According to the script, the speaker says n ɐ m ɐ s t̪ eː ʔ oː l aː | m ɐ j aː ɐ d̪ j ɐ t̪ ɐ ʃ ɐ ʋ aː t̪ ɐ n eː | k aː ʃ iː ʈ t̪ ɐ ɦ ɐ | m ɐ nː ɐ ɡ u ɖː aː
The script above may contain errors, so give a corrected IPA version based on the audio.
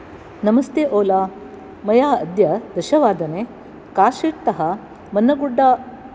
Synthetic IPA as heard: n ɐ m ɐ s t̪ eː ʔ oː l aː | m ɐ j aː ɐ d̪ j ɐ d̪ ɐ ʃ ɐ ʋ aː d̪ ɐ n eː | k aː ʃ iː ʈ t̪ ɐ ɦ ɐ | m ɐ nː ɐ ɡ u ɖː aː